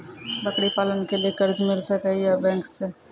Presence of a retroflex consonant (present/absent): present